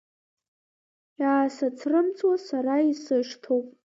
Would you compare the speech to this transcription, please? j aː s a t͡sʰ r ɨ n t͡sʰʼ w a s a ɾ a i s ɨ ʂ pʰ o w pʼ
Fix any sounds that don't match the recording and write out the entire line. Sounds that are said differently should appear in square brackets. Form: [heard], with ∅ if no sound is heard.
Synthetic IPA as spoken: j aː s a t͡sʰ r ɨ [m] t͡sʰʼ w a s a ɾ a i s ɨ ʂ [tʰ] o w pʼ